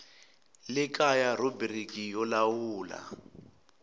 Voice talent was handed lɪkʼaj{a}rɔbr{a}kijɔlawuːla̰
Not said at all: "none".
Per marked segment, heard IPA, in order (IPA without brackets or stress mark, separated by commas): a, i